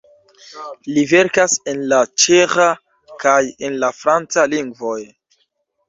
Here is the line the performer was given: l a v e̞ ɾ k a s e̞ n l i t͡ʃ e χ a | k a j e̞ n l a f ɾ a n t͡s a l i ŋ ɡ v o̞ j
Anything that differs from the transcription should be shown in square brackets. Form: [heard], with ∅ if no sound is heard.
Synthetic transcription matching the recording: l [i] v e̞ ɾ k a s e̞ n l [a] t͡ʃ e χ a | k a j e̞ n l a f ɾ a n t͡s a l i ŋ ɡ v o̞ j